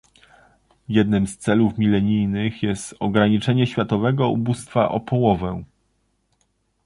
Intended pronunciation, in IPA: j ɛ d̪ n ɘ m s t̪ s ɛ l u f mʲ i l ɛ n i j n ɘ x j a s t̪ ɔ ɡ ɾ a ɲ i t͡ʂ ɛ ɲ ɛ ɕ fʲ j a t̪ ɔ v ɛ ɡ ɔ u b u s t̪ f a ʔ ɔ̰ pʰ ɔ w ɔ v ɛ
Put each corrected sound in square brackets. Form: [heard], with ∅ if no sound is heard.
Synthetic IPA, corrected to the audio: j ɛ d̪ n ɘ m s t̪ s ɛ l u f mʲ i l ɛ [ɲ] i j n ɘ x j [ɛ] s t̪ ɔ ɡ ɾ a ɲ i t͡ʂ ɛ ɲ ɛ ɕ fʲ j a t̪ ɔ v ɛ ɡ ɔ u b u s t̪ f a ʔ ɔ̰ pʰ ɔ w ɔ v ɛ